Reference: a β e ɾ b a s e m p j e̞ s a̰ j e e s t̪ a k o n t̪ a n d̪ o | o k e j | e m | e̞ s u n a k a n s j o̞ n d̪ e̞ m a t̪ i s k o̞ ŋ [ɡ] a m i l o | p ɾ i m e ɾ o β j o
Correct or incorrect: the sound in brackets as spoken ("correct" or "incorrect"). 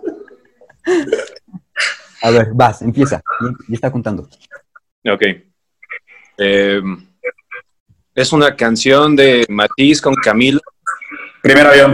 incorrect